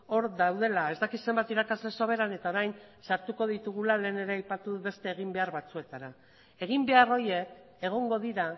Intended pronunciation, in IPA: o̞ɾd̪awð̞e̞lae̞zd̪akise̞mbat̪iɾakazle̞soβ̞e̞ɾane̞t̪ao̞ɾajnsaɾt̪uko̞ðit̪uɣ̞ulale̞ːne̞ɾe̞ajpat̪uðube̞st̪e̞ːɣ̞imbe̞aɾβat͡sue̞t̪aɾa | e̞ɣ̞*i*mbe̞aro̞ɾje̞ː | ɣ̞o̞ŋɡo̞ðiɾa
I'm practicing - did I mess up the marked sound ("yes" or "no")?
no